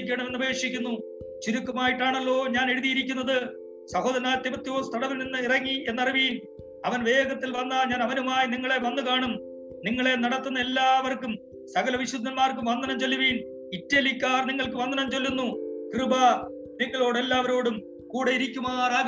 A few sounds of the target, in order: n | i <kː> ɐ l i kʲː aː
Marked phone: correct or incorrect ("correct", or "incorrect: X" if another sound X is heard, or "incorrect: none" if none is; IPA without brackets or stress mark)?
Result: incorrect: tː